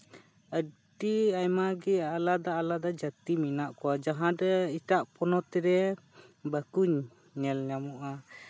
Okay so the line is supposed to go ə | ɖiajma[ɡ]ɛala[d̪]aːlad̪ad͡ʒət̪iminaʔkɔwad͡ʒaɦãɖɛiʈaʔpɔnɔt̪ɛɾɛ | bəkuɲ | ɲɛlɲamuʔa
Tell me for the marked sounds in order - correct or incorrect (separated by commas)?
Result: correct, correct